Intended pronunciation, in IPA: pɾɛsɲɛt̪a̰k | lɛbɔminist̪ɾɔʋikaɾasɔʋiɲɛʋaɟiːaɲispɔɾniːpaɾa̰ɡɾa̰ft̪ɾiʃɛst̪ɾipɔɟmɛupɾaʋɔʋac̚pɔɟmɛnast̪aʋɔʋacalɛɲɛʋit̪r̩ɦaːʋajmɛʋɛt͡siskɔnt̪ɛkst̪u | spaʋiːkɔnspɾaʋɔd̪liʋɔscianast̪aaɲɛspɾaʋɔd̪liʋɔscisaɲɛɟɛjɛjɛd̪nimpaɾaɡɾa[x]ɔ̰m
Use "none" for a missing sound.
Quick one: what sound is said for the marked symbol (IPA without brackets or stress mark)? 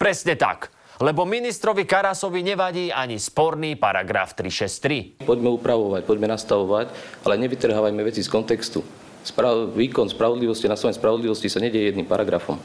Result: f